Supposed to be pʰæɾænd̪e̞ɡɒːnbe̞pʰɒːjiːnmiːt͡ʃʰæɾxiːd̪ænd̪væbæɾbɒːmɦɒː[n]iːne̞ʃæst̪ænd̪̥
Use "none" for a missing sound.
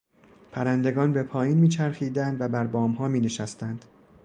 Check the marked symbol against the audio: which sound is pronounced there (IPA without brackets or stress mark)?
m